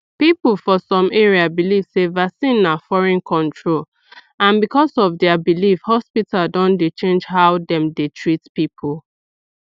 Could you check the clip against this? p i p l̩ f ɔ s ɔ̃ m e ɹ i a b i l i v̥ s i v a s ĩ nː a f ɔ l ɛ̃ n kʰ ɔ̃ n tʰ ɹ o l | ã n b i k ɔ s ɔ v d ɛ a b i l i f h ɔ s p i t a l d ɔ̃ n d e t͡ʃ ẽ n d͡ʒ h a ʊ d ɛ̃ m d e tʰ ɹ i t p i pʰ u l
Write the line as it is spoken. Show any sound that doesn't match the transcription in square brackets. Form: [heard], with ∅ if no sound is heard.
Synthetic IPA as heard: p i p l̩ f ɔ s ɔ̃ m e ɹ i a b i l i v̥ s [e] v a s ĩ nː a f ɔ [ɹ] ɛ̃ n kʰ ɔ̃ n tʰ ɹ o l | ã n b i k ɔ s ɔ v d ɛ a b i l i f h ɔ s p i t a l d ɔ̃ n d e t͡ʃ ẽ n d͡ʒ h a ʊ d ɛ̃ m d e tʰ ɹ i t p i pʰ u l